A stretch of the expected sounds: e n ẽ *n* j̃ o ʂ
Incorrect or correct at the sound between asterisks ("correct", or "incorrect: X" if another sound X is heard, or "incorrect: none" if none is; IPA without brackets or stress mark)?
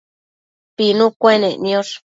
correct